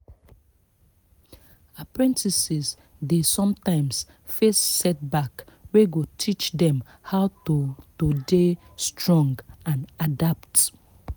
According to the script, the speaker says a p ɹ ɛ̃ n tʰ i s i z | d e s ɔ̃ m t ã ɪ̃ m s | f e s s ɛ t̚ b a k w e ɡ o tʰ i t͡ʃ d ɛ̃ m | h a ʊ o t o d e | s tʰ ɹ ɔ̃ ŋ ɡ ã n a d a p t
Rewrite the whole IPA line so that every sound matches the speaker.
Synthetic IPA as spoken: a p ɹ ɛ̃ n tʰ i s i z | d e s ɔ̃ m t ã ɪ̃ m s | f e s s ɛ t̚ b a k w e ɡ o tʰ i t͡ʃ d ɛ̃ m | h a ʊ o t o d e | s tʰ ɹ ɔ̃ ŋ ɡ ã n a d a p t